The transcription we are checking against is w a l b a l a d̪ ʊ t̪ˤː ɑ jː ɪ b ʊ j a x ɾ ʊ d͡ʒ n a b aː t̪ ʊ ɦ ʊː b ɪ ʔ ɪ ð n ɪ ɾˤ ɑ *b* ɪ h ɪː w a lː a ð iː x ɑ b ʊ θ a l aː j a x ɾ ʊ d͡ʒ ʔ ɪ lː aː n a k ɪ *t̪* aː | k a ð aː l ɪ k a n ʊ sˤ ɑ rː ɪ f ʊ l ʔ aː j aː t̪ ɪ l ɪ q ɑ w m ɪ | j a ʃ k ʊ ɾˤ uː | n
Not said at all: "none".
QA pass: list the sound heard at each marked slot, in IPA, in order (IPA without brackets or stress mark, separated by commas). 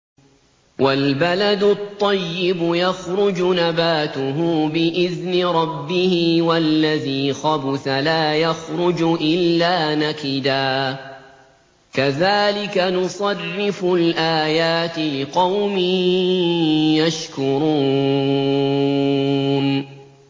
bː, d̪